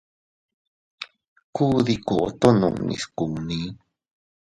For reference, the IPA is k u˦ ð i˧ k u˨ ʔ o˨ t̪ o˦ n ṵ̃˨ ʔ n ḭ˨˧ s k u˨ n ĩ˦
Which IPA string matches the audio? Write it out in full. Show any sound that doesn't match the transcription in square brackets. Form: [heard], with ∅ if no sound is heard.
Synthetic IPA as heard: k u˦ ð i˧ k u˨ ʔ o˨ t̪ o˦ n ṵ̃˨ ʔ n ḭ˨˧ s k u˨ n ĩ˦